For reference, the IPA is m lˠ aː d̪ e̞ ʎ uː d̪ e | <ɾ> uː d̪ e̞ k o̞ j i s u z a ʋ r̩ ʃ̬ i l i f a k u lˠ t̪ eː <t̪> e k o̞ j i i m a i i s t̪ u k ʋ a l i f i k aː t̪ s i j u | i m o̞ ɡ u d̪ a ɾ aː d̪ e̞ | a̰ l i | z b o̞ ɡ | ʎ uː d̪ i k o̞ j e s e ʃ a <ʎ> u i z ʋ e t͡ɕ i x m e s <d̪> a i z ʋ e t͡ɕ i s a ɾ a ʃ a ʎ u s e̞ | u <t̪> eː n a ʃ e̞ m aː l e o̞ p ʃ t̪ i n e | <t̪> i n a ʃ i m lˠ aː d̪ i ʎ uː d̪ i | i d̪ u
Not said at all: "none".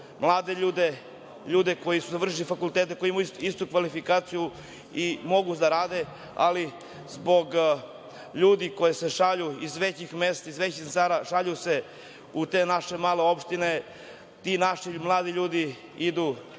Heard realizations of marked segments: ʎ, t̪, ʎ, t̪, t̪, t̪

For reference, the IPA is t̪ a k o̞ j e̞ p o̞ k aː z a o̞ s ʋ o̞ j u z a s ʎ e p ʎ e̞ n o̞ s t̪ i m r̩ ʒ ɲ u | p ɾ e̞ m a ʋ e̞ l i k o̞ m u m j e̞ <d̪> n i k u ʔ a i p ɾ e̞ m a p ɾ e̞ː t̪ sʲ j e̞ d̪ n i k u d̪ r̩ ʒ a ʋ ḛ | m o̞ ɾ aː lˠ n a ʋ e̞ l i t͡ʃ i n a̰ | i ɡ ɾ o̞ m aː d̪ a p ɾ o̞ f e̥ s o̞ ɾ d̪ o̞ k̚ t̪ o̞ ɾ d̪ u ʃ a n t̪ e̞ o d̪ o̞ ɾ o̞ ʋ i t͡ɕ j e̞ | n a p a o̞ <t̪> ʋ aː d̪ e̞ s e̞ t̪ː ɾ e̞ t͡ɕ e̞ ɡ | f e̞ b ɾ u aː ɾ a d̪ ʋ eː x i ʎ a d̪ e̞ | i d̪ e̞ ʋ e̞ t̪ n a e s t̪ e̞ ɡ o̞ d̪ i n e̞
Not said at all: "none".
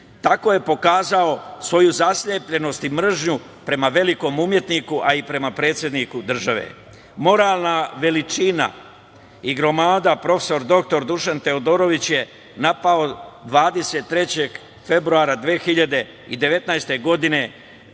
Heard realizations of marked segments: t̪, d̪

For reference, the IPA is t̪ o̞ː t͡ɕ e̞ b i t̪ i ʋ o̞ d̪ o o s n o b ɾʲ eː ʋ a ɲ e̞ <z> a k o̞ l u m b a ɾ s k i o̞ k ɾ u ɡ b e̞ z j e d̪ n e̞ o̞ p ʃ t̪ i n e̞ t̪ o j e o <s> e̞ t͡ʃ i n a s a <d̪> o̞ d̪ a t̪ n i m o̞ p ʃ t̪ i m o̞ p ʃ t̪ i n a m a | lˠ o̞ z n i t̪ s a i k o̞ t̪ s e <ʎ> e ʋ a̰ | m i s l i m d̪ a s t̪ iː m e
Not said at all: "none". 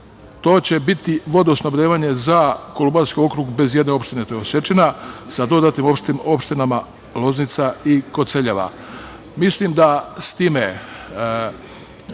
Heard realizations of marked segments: z, s, d̪, ʎ

